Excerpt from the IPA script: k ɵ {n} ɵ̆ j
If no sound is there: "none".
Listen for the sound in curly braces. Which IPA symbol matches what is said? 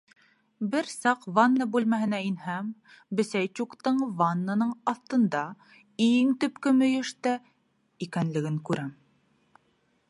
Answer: m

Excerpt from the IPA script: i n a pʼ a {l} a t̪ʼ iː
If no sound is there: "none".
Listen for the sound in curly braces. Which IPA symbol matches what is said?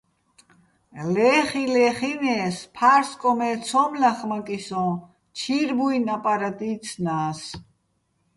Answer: ɾ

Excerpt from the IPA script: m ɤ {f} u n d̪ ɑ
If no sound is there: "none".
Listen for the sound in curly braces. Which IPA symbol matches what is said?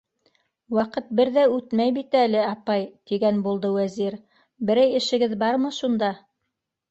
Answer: ʃ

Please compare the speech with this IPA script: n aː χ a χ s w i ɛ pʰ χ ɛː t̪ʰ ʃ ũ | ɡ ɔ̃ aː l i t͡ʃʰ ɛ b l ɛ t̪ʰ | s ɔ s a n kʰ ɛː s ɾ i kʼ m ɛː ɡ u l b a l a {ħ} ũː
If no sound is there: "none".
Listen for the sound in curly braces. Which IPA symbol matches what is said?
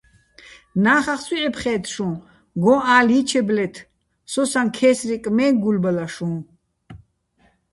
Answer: ʃ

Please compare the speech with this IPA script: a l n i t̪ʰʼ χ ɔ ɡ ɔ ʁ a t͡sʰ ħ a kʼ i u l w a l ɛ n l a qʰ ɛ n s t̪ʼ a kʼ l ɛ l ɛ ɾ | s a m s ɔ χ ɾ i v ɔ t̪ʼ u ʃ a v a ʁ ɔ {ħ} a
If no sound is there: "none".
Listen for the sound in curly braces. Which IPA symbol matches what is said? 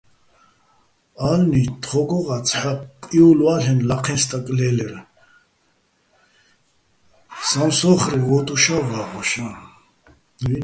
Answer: ʃ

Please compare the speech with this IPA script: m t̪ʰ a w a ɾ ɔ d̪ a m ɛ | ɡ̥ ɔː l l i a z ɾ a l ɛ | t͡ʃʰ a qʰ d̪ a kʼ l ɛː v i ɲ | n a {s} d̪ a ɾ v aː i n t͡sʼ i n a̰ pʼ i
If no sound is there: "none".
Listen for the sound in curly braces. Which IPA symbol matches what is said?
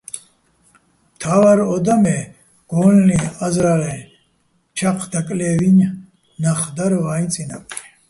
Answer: χ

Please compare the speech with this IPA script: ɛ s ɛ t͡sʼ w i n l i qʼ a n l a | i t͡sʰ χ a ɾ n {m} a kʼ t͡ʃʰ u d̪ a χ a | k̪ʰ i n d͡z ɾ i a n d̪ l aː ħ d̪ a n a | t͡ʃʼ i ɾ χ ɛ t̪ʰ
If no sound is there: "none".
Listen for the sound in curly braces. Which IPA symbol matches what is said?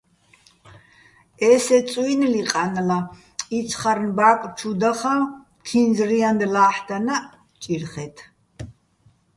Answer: b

